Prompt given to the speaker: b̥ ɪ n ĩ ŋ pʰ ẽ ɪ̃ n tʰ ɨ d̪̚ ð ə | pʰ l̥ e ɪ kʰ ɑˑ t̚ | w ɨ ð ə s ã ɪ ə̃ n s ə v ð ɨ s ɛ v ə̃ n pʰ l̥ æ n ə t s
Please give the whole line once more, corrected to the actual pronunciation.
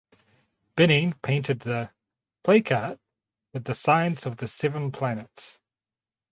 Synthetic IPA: b̥ ɪ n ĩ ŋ pʰ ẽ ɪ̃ n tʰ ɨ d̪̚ ð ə | pʰ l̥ e ɪ kʰ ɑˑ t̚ | w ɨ ð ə s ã ɪ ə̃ n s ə v ð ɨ s ɛ v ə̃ n pʰ l̥ æ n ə t s